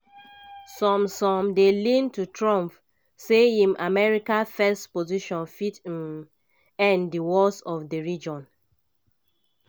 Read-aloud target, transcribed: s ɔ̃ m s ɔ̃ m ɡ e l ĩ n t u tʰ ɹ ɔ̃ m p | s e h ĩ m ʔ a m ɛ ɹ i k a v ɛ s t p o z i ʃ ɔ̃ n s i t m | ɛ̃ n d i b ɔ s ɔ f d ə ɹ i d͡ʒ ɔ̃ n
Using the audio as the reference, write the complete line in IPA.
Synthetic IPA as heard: s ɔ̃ m s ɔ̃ m d e l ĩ n t u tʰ ɹ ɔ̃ m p | s e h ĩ m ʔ a m ɛ ɹ i k a f ɛ s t p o z i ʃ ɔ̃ n f i t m | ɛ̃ n d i w ɔ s ɔ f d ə ɹ i d͡ʒ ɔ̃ n